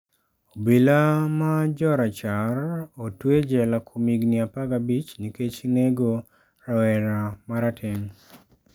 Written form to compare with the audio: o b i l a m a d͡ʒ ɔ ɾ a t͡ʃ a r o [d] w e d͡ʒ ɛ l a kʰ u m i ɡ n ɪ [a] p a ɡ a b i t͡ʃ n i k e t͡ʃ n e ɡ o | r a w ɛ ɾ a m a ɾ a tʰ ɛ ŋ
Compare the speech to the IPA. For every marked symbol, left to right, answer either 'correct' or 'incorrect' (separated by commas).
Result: incorrect, correct